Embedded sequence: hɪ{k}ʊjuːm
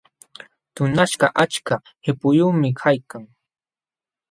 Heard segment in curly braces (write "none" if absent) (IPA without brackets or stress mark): p